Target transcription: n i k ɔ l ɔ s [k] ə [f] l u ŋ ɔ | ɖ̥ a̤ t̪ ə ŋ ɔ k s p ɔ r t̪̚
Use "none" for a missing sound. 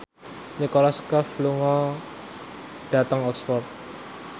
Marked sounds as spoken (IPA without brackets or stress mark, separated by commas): k, f